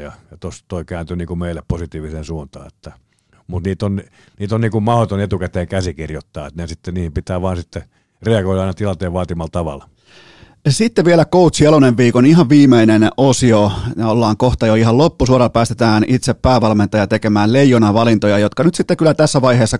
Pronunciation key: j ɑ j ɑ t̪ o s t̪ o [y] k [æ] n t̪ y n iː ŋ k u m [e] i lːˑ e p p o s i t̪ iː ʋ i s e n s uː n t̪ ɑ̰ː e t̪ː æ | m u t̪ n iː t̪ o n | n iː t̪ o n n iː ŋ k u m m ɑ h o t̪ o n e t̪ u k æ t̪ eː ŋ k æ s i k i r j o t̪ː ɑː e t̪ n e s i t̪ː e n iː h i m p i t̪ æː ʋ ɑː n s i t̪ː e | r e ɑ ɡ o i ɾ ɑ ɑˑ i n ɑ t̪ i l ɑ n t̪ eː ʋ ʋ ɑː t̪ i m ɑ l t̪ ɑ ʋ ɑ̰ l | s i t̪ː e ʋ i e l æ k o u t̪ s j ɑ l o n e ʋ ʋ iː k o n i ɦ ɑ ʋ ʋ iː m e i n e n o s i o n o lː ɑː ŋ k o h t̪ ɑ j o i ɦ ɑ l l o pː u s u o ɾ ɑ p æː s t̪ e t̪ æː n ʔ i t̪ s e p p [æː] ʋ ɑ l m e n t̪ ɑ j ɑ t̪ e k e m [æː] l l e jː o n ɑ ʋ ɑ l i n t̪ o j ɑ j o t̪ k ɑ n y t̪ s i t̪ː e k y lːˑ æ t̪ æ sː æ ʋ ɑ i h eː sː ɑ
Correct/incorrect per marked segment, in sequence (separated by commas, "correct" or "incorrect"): incorrect, incorrect, correct, correct, correct